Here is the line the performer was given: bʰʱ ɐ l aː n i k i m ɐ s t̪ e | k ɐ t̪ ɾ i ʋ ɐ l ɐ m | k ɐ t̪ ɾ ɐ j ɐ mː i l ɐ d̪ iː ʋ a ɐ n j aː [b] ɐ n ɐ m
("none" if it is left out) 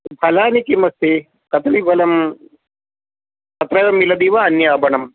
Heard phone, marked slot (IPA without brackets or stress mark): b